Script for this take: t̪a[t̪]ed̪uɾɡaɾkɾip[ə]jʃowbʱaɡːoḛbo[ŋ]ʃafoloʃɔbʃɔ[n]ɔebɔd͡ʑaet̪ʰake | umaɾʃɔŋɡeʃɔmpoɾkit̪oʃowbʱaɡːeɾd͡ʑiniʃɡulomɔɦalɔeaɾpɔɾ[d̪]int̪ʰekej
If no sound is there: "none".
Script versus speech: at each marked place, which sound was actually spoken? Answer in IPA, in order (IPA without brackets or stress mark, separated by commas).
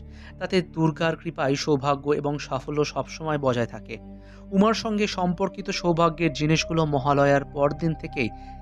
t̪, a, ŋ, m, d̪